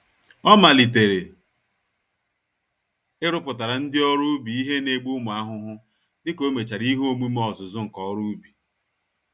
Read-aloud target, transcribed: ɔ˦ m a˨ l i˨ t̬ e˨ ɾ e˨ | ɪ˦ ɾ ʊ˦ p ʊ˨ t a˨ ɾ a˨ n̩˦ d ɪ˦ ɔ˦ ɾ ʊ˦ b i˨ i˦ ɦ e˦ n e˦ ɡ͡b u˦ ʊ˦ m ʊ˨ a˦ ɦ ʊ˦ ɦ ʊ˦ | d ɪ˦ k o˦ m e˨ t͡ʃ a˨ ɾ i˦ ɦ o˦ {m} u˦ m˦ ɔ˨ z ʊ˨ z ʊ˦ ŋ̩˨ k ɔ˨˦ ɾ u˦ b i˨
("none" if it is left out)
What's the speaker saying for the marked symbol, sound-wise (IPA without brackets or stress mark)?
m